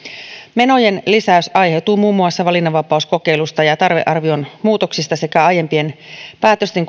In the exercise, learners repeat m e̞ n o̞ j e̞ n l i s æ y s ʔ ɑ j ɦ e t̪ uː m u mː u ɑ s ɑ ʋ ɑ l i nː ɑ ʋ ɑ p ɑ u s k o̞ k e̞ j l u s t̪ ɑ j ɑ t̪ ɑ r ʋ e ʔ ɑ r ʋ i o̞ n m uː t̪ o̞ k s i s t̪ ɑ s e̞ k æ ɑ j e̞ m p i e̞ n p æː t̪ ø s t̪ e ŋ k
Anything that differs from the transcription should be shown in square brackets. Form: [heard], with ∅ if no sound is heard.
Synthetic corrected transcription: m e̞ n o̞ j e̞ n l i s æ y s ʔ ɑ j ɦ e t̪ uː m [uː] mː u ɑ [sː] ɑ ʋ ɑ l i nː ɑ ʋ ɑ p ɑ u s k o̞ k e̞ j l u s t̪ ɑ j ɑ t̪ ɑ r ʋ e ʔ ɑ r ʋ i o̞ n m uː t̪ o̞ k s i s t̪ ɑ s e̞ k æ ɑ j e̞ m p i e̞ n p æː t̪ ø s t̪ e ŋ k